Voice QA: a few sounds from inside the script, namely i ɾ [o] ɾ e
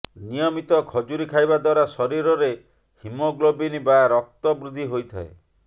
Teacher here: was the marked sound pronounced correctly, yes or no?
no